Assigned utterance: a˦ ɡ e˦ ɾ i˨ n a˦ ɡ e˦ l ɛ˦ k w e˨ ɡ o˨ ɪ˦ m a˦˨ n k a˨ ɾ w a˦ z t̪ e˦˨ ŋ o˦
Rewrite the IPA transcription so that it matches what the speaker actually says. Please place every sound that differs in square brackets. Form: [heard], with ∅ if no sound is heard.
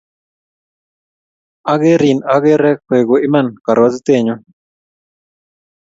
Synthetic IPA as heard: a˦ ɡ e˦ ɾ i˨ n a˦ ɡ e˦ [ɾ] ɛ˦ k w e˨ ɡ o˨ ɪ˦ m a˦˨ n k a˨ ɾ w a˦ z t̪ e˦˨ [ɲ] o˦